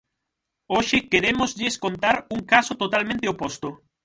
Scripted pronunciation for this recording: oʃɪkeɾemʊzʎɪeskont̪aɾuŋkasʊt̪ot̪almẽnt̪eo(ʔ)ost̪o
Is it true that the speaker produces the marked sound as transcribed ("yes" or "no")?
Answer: no